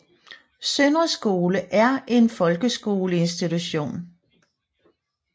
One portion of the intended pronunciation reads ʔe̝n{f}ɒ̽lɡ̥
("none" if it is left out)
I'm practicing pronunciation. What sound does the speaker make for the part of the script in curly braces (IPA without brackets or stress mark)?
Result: f